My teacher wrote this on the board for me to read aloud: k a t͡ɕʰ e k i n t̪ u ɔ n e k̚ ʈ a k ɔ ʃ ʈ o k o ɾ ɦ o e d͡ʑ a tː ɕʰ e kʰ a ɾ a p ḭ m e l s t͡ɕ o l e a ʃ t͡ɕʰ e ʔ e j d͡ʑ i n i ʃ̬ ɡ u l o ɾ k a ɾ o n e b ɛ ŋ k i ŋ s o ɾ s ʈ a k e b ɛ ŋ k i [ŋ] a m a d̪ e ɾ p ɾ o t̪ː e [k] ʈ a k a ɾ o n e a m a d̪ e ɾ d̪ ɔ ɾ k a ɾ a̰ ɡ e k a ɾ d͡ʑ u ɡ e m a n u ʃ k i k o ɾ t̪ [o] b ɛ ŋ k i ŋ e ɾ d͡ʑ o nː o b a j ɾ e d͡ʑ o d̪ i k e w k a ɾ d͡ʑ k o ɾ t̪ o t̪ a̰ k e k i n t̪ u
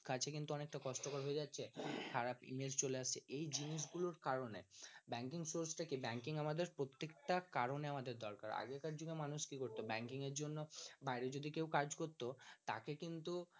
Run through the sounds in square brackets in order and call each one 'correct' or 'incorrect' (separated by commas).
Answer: correct, correct, correct